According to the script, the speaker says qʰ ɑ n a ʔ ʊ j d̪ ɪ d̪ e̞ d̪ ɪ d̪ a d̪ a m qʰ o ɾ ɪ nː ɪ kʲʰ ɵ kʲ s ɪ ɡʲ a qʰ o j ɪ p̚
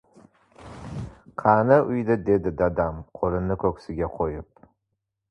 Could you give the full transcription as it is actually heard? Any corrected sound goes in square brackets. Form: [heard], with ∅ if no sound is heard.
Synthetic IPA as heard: qʰ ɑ n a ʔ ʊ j d̪ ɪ d̪ e̞ d̪ ɪ d̪ a d̪ a m qʰ o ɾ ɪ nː ɪ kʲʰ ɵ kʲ s ɪ ɡʲ a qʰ o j ɪ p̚

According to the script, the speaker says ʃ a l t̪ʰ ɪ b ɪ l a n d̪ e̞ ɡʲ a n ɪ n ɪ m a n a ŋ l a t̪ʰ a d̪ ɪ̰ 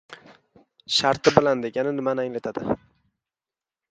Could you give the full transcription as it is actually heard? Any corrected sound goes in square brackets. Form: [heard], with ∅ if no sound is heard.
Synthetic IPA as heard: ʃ a [ɾ] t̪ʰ ɪ b ɪ l a n d̪ e̞ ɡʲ a n ɪ n ɪ m a n a ŋ l a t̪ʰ a d̪ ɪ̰

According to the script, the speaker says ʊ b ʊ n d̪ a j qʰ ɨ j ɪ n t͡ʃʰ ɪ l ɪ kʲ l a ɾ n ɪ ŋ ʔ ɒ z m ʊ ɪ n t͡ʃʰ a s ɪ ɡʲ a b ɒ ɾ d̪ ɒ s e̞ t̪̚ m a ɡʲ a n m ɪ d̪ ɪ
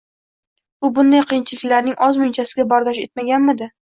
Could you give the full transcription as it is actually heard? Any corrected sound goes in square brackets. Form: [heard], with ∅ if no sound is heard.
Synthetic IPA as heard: ʊ b ʊ n d̪ a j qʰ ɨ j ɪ n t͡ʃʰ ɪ l ɪ kʲ l a ɾ n ɪ ŋ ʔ ɒ z m ʊ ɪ n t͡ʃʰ a s ɪ ɡʲ a b ɒ ɾ d̪ ɒ [ʃ] e̞ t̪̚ m a ɡʲ a n m ɪ d̪ ɪ

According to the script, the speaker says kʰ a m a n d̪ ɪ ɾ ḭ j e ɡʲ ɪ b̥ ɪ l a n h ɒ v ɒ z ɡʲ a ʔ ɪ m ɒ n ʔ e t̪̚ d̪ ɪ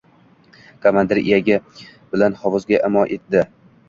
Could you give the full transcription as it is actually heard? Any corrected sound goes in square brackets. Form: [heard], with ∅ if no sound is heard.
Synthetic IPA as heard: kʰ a m a n d̪ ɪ ɾ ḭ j [a] ɡʲ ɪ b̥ ɪ l a n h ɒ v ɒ z ɡʲ a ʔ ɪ m ɒ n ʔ e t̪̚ d̪ ɪ

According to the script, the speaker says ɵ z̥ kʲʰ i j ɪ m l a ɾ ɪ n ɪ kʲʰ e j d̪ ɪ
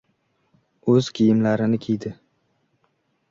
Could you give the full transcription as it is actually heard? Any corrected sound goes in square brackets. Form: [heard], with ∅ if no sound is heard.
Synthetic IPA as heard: ɵ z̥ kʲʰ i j ɪ m l a ɾ ɪ n ɪ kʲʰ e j d̪ ɪ

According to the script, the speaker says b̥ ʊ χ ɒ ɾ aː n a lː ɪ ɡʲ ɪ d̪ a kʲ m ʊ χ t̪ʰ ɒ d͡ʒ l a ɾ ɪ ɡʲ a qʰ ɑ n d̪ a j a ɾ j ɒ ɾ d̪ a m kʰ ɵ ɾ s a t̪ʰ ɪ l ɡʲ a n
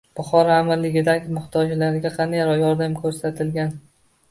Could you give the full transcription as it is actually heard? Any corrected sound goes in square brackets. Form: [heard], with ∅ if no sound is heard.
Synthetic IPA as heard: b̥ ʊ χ ɒ ɾ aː [m] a lː ɪ ɡʲ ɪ d̪ a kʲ m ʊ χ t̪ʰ ɒ d͡ʒ l a ɾ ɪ ɡʲ a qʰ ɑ n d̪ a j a ɾ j ɒ ɾ d̪ a m kʰ ɵ ɾ s a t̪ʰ ɪ l ɡʲ a n

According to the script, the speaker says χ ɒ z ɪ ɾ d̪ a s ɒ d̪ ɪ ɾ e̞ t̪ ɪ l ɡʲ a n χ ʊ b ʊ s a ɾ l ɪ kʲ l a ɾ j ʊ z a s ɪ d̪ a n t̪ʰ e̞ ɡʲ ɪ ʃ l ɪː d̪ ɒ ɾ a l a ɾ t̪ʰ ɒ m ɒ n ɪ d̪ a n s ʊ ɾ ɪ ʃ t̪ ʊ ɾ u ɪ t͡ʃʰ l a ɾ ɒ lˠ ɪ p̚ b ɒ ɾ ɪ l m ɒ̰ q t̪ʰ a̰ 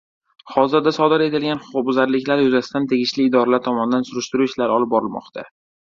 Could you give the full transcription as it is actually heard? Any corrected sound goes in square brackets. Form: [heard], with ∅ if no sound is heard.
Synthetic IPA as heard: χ ɒ z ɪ ɾ d̪ a s ɒ d̪ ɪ ɾ e̞ t̪ ɪ l ɡʲ a n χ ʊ b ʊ [z] a ɾ l ɪ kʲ l a ɾ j ʊ z a s ɪ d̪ a n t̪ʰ e̞ ɡʲ ɪ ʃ l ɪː d̪ ɒ ɾ a l a ɾ t̪ʰ ɒ m ɒ n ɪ d̪ a n s ʊ ɾ ɪ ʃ t̪ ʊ ɾ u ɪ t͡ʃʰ l a ɾ ɒ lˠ ɪ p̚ b ɒ ɾ ɪ l m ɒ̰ q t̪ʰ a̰

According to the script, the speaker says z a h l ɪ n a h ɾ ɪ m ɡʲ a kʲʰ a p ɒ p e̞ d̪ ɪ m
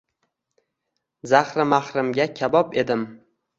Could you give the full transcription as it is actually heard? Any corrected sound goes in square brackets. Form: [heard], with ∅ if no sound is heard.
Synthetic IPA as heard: z a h [ɾ] ɪ [m] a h ɾ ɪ m ɡʲ a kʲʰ a [b] ɒ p e̞ d̪ ɪ m

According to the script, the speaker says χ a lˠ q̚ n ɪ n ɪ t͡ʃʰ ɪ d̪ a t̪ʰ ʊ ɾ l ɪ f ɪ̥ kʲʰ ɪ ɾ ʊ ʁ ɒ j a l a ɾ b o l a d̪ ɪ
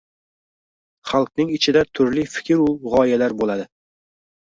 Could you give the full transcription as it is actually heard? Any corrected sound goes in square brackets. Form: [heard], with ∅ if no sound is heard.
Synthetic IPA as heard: χ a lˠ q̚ n ɪ [ŋ] ɪ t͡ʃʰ ɪ d̪ a t̪ʰ ʊ ɾ l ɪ f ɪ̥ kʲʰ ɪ ɾ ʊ ʁ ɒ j a l a ɾ b o l a d̪ ɪ

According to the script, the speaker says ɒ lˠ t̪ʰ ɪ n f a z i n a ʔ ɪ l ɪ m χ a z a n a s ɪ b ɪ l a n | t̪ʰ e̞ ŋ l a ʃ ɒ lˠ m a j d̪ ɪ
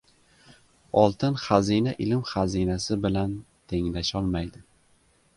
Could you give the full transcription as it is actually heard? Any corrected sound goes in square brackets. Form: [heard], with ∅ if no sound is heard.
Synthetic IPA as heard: ɒ lˠ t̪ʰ ɪ n [χ] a z i n a ʔ ɪ l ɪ m χ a z [i] n a s ɪ b ɪ l a n | t̪ʰ e̞ ŋ l a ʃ ɒ lˠ m a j d̪ ɪ

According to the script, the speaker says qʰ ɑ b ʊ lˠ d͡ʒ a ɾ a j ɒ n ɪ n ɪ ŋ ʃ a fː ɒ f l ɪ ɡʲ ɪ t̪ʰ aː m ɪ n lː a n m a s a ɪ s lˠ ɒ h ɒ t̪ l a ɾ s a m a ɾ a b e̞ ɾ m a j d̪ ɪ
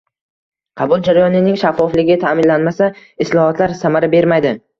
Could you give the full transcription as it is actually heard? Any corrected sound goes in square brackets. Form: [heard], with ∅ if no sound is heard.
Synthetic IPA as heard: qʰ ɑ b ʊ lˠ d͡ʒ a ɾ a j ɒ n ɪ n ɪ ŋ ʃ a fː ɒ f l ɪ ɡʲ ɪ t̪ʰ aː m ɪ n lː a n m a s a ɪ s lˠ ɒ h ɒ t̪ l a ɾ s a m a ɾ a b e̞ ɾ m a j d̪ ɪ

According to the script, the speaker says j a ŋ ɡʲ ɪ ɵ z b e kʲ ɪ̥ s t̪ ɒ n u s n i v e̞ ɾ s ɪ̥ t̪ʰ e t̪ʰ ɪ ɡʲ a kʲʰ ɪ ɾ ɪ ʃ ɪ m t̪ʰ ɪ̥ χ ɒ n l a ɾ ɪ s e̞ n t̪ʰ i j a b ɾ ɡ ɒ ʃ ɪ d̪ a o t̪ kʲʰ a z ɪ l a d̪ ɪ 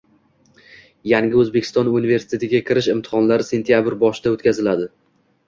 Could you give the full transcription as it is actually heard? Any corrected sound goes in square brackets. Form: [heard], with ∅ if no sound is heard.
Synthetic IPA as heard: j a ŋ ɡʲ ɪ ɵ z b e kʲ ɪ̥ s t̪ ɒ n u [∅] n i v e̞ ɾ s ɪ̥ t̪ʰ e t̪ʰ ɪ ɡʲ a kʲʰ ɪ ɾ ɪ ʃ ɪ m t̪ʰ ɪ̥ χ ɒ n l a ɾ ɪ s e̞ n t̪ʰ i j a b ɾ [b] ɒ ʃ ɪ d̪ a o t̪ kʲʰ a z ɪ l a d̪ ɪ

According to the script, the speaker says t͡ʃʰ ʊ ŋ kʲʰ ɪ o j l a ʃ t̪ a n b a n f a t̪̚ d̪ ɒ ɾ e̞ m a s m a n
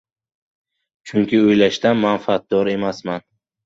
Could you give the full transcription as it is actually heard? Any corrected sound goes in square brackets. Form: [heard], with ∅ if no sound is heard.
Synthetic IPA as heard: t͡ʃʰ ʊ ŋ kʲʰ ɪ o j l a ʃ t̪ a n [m] a n f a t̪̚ d̪ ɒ ɾ e̞ m a s m a n

